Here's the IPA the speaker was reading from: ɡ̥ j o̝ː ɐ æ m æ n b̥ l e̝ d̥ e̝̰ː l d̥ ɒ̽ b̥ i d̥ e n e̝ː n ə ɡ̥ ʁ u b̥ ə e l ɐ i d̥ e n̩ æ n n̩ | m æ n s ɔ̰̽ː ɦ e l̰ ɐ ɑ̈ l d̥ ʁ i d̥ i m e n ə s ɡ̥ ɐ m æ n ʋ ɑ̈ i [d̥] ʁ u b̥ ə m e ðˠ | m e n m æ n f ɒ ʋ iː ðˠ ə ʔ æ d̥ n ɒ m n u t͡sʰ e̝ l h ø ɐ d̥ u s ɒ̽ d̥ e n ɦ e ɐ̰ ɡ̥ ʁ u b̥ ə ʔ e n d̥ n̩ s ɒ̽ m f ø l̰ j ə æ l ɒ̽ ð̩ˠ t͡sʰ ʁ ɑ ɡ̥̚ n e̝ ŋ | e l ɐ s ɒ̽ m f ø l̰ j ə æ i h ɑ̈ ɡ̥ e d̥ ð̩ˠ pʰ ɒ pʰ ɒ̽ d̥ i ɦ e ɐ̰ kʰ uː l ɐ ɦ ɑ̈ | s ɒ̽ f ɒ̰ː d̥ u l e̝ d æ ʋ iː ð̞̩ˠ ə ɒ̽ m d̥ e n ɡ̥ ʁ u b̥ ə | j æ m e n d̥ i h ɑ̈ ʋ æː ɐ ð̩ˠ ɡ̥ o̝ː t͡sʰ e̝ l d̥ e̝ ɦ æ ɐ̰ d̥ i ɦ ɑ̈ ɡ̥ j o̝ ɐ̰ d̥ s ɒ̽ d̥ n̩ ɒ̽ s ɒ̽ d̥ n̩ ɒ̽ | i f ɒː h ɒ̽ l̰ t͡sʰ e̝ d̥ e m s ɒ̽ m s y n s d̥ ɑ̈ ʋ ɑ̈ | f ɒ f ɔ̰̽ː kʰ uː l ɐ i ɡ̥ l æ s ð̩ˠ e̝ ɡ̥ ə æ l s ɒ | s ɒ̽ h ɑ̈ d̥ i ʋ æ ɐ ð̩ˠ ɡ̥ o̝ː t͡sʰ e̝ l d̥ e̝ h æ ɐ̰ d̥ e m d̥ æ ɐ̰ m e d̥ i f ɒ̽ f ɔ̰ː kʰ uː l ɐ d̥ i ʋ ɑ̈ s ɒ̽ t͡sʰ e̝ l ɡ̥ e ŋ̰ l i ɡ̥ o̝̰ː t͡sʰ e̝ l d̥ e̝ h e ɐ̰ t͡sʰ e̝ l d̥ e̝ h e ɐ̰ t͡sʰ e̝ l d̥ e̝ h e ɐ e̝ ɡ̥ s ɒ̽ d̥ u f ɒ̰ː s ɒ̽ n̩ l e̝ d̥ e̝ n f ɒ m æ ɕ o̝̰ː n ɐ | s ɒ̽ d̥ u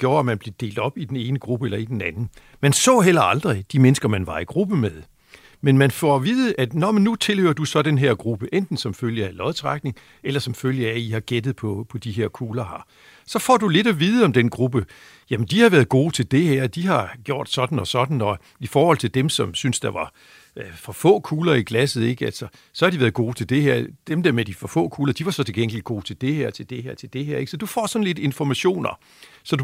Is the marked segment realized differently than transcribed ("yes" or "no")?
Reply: yes